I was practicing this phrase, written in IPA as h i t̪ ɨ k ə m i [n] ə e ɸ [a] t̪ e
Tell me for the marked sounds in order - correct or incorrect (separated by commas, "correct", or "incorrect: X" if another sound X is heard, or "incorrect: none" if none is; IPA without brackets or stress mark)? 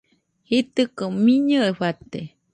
incorrect: ɲ, correct